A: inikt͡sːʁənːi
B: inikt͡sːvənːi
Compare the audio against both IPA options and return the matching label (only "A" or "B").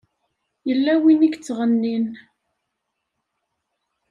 A